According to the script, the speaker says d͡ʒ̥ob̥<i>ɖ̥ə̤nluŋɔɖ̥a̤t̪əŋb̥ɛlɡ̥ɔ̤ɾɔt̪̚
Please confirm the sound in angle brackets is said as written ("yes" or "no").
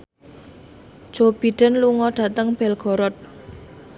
yes